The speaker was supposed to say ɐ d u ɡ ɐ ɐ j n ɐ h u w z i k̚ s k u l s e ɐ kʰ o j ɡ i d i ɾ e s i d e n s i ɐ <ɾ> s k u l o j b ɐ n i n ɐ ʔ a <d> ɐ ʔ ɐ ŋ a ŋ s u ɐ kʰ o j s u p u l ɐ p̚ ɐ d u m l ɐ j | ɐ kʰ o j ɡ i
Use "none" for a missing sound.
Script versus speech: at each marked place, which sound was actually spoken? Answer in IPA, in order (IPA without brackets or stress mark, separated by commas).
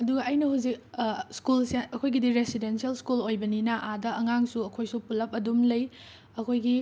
l, d